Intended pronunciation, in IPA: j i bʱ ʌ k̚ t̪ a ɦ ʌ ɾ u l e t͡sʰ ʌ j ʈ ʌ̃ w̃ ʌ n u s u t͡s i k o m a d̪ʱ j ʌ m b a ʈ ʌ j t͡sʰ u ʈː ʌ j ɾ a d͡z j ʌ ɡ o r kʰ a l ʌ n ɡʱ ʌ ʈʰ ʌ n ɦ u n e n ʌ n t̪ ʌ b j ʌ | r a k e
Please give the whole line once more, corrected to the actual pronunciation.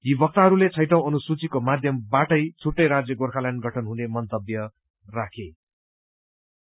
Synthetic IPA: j i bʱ ʌ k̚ t̪ a ɦ ʌ ɾ u l e t͡sʰ ʌ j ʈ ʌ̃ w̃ ʌ n u s u t͡s i k o m a d̪ʱ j ʌ m b a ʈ ʌ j t͡sʰ u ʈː ʌ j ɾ a d͡z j ʌ ɡ o r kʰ a l a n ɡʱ ʌ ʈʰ ʌ n ɦ u n e m ʌ n t̪ ʌ b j ʌ | r a kʰ e